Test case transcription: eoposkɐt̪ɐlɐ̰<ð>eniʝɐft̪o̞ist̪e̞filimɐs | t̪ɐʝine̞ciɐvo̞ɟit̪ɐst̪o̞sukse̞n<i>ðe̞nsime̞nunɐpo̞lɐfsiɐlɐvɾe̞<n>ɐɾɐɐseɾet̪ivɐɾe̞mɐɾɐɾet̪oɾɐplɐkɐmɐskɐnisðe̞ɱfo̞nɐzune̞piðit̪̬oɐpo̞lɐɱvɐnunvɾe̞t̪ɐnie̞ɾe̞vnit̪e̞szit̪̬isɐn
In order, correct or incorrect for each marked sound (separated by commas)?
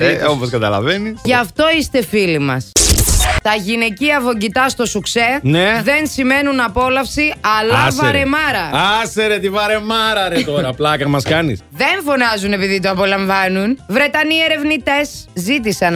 incorrect, incorrect, incorrect